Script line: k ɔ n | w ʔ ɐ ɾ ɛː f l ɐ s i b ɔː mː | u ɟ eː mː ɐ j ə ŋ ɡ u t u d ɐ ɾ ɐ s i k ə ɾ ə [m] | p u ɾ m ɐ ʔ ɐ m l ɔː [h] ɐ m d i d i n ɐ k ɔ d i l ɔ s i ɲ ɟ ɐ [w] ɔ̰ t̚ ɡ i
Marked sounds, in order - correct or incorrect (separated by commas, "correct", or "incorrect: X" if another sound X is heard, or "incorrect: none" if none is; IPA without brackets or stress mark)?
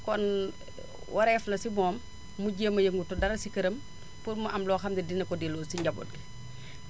correct, incorrect: x, incorrect: b